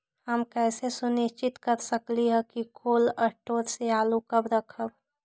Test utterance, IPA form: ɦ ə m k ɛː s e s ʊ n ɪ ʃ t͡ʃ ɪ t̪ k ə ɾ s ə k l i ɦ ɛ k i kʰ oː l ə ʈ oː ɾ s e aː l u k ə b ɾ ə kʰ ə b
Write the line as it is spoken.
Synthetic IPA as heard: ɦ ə m k ɛː s e s ʊ n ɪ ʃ t͡ʃ ɪ t̪ k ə ɾ s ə k l i ɦ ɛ k i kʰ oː l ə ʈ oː ɾ s e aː l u k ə b ɾ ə kʰ ə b